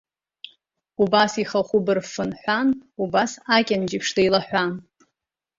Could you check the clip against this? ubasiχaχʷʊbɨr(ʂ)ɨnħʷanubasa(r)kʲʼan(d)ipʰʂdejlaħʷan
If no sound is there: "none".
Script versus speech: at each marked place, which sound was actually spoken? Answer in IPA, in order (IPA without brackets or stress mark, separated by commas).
f, none, d͡ʒ